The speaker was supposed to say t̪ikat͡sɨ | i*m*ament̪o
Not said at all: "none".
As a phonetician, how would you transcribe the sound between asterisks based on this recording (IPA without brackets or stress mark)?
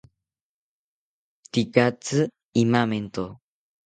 m